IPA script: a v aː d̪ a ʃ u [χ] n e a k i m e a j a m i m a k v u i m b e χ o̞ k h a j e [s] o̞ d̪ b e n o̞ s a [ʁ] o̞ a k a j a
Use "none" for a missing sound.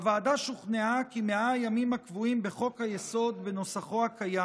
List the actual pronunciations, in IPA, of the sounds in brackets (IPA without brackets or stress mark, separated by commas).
χ, s, χ